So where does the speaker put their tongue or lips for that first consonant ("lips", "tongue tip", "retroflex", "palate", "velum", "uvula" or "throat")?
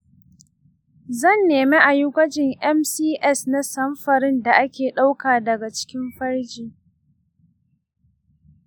tongue tip